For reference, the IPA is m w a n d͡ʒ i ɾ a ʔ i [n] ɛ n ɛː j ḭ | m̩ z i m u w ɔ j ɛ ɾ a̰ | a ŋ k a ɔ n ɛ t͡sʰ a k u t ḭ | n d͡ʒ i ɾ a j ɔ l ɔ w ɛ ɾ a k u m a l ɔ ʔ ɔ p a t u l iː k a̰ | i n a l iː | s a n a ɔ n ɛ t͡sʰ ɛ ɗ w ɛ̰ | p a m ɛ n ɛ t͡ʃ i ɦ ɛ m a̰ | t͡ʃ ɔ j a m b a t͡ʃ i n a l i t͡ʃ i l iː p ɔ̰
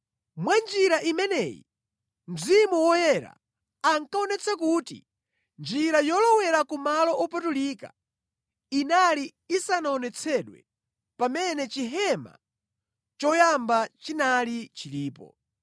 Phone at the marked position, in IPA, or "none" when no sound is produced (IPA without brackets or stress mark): m